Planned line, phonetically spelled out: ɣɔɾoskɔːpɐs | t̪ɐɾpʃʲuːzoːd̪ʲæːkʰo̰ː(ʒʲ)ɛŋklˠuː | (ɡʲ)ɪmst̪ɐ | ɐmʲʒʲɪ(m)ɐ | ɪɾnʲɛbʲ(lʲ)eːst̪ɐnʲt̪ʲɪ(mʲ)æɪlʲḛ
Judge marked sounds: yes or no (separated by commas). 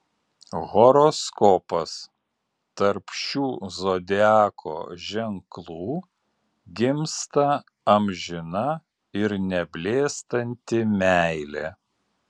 yes, yes, no, yes, yes